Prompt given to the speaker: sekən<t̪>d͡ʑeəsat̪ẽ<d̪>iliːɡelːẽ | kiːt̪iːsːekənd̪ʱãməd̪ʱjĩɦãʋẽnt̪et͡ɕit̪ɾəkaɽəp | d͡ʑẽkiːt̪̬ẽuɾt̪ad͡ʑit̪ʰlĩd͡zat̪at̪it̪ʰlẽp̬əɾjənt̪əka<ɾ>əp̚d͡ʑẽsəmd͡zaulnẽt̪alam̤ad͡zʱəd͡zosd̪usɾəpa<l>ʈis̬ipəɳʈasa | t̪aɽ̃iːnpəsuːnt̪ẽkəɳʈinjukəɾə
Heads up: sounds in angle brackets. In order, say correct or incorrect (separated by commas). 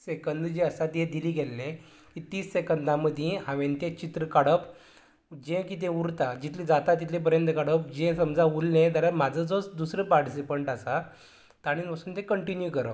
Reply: incorrect, correct, incorrect, incorrect